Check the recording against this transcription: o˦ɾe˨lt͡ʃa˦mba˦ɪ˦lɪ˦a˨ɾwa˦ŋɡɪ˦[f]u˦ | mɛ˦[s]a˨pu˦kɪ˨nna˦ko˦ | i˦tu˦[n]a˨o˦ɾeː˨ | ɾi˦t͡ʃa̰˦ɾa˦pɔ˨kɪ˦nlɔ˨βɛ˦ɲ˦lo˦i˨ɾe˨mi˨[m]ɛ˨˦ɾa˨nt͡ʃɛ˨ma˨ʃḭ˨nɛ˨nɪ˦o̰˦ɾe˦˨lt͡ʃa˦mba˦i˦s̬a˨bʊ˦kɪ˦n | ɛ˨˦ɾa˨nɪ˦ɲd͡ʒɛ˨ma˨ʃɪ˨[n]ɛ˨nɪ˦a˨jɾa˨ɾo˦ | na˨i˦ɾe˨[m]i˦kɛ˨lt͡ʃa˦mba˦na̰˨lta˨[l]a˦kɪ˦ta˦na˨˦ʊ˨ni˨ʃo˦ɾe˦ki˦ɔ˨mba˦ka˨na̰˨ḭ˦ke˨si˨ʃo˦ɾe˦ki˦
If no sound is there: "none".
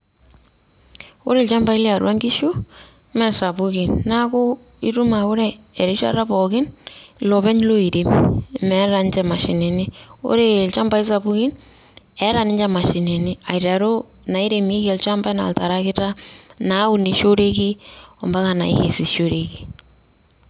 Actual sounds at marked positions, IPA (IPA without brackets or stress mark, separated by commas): ʃ, s, m, m, n, m, ɾ